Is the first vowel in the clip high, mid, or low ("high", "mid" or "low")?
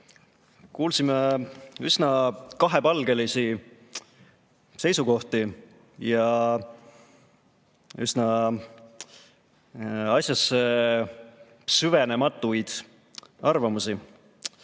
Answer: high